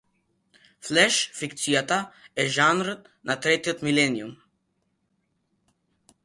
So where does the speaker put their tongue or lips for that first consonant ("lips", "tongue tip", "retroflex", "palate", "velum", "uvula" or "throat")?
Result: lips